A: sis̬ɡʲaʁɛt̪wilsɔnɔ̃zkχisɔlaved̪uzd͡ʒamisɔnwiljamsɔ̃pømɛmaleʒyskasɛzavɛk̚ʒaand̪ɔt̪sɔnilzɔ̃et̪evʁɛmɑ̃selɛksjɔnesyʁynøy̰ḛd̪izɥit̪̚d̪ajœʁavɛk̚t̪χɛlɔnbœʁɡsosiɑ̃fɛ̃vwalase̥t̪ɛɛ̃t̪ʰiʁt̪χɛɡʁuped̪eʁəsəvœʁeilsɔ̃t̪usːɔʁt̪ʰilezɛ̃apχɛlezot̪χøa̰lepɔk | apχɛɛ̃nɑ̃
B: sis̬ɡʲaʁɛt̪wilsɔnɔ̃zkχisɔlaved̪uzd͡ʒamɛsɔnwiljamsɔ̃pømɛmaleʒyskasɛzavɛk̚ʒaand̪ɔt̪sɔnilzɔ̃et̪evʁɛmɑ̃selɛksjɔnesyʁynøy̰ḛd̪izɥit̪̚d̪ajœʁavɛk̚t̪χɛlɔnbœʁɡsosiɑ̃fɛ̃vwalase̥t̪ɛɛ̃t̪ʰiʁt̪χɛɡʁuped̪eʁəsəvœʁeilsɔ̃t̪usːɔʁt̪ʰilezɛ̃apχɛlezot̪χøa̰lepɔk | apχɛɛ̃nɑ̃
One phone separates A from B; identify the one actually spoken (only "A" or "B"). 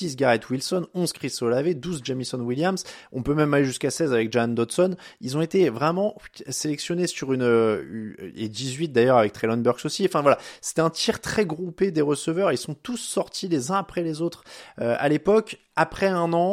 A